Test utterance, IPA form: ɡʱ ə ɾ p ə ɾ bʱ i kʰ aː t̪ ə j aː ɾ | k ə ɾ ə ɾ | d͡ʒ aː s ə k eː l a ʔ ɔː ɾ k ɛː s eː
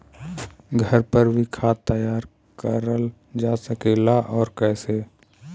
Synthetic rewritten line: ɡʱ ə ɾ p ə ɾ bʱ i kʰ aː t̪ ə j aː ɾ | k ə ɾ ə l | d͡ʒ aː s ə k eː l a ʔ ɔː ɾ k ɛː s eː